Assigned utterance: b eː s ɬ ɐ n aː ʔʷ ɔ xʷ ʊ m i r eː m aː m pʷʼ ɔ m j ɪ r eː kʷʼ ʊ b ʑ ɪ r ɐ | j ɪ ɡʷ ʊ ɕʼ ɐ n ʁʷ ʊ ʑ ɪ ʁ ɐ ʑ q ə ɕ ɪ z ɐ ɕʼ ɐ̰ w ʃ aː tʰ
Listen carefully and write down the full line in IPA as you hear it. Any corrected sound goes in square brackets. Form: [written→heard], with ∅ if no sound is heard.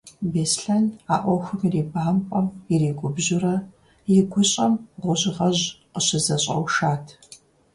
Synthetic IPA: b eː s ɬ ɐ n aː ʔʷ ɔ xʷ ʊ m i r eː [m→b] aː m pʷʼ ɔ m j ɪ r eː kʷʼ ʊ b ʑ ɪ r ɐ | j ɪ ɡʷ ʊ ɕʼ ɐ [n→m] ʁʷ ʊ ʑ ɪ ʁ ɐ ʑ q ə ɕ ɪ z ɐ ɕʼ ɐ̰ w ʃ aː tʰ

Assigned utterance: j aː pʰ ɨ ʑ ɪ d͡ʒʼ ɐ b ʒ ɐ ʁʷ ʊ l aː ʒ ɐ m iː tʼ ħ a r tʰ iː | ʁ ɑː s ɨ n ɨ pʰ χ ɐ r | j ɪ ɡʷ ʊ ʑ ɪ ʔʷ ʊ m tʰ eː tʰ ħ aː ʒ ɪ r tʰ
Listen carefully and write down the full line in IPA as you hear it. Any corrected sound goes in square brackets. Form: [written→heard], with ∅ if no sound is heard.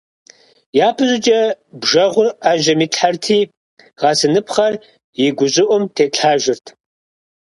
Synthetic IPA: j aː pʰ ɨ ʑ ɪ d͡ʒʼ ɐ b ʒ ɐ ʁʷ ʊ [l→r] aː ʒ ɐ m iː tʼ ħ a r tʰ iː | ʁ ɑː s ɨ n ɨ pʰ χ ɐ r | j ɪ ɡʷ ʊ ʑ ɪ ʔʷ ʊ m tʰ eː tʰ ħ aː ʒ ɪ r tʰ

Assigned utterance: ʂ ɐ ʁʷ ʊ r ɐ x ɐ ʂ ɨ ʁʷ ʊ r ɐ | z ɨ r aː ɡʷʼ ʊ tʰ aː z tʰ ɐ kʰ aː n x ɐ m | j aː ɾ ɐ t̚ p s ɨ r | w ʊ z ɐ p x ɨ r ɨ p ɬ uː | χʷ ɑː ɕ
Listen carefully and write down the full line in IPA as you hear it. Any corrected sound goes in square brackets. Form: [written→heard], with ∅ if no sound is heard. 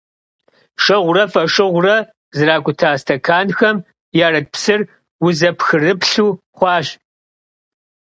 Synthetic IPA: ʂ ɐ ʁʷ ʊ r ɐ [x→f] ɐ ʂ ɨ ʁʷ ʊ r ɐ | z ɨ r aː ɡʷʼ ʊ tʰ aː [z→s] tʰ ɐ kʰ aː n x ɐ m | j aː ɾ ɐ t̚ p s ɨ r | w ʊ z ɐ p x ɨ r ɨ p ɬ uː | χʷ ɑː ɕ

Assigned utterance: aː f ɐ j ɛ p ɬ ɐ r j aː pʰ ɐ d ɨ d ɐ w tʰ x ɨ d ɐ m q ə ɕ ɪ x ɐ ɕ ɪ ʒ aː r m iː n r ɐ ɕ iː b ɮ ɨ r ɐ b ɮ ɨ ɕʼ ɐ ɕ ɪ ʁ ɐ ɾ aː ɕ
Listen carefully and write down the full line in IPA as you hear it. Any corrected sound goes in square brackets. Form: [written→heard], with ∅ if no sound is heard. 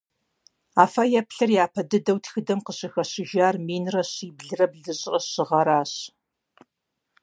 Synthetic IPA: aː f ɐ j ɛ p ɬ ɐ r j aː pʰ ɐ d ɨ d ɐ w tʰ x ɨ d ɐ m q ə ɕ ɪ x ɐ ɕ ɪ ʒ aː r m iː n r ɐ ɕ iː b ɮ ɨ r ɐ b ɮ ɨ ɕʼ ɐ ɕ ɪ ʁ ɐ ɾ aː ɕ

